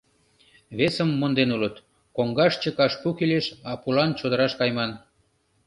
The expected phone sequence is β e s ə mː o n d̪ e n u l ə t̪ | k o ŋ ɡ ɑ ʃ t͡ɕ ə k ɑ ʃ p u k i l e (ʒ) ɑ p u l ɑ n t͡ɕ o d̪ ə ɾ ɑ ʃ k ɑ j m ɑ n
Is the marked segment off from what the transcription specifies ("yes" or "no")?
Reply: yes